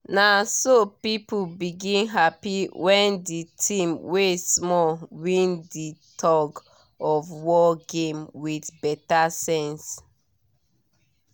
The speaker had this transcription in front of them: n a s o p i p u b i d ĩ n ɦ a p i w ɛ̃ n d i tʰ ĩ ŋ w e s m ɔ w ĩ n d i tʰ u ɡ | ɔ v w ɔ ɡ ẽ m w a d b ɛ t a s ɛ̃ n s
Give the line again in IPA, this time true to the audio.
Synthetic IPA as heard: n a s o p i p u b i ɡ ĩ n ɦ a p i w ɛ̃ n d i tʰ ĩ m w e s m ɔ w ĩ n d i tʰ ɔ ɡ | ɔ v w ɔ ɡ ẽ m w i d b ɛ t a s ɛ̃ n s